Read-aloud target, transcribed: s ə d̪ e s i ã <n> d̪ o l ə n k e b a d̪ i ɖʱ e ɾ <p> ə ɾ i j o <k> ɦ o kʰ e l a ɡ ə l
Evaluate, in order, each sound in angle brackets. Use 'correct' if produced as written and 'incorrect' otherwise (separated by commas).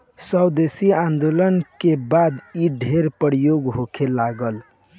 correct, correct, incorrect